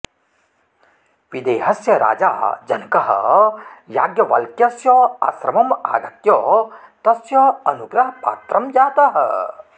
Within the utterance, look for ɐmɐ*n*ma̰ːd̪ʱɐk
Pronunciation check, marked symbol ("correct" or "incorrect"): incorrect